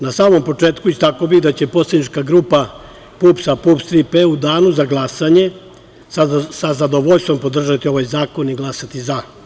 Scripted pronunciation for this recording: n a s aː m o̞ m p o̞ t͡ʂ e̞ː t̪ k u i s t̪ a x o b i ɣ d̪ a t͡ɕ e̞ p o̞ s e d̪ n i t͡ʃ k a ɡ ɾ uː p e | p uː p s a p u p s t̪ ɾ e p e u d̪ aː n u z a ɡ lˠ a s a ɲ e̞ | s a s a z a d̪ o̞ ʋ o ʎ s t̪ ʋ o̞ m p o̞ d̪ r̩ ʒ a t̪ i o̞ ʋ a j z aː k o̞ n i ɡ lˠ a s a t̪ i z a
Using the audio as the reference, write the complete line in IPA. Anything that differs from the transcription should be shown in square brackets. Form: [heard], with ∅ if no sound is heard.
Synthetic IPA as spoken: n a s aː m o̞ m p o̞ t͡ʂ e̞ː t̪ k u i s t̪ a [k] o b i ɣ d̪ a t͡ɕ e̞ p o̞ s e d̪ n i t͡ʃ k a ɡ ɾ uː p [a] | p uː p s a p u p s t̪ ɾ [i] p e u d̪ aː n u z a ɡ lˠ a s a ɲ e̞ | s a s a z a d̪ o̞ ʋ o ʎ s t̪ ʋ o̞ m p o̞ d̪ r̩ ʒ a t̪ i o̞ ʋ a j z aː k o̞ n i ɡ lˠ a s a t̪ i z a